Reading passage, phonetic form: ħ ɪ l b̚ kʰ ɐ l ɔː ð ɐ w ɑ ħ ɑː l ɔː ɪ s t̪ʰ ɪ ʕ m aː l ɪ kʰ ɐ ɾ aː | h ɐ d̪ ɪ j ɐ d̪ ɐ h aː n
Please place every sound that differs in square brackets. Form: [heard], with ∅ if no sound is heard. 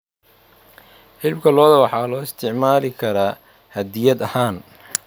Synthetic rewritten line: ħ ɪ l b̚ kʰ ɐ l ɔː ð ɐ w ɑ ħ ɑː l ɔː ɪ s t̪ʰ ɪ ʕ m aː l ɪ kʰ ɐ ɾ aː | h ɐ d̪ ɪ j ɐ d̪ ɐ h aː n